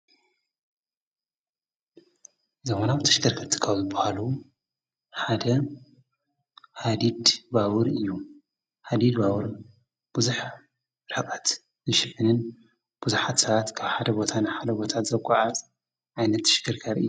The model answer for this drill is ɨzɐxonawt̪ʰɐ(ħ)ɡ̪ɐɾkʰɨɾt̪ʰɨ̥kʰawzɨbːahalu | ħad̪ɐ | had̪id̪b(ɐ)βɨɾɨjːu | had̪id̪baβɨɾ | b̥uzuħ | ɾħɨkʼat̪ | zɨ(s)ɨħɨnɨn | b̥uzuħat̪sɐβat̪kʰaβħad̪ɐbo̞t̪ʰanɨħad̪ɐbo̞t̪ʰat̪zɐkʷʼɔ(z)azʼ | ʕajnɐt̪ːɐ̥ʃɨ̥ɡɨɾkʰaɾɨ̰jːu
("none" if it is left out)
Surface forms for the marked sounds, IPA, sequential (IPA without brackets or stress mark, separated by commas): ʃ, a, ʃ, ʕ